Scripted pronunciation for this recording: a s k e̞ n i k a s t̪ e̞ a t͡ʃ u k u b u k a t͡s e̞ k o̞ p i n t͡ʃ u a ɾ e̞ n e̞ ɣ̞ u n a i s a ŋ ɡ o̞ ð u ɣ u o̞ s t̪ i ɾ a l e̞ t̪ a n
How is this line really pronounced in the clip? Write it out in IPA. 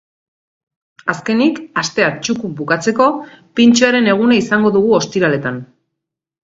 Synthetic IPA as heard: a s k e̞ n i k a s t̪ e̞ a t͡ʃ u k u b u k a t͡s e̞ k o̞ p i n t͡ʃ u a ɾ e̞ n e̞ ɣ̞ u n a i s a ŋ ɡ o̞ ð u ɣ u o̞ s t̪ i ɾ a l e̞ t̪ a n